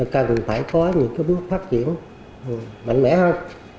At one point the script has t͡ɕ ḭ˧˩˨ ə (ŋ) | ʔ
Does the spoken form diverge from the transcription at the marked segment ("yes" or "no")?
yes